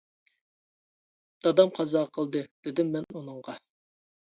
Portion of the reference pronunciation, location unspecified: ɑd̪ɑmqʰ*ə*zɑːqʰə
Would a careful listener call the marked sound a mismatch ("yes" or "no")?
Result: yes